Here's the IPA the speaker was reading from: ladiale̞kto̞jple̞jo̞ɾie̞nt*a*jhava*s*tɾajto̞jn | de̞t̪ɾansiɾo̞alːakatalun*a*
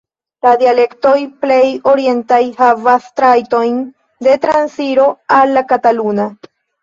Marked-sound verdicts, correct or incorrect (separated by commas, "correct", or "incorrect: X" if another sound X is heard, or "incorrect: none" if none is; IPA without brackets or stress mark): correct, correct, correct